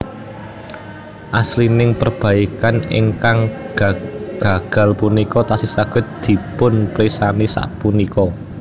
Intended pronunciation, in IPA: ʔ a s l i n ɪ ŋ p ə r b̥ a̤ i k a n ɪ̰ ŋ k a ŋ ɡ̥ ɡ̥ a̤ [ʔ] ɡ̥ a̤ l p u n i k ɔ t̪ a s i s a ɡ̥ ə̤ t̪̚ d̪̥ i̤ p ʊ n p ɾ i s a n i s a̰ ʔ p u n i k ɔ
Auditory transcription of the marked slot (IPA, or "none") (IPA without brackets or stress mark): none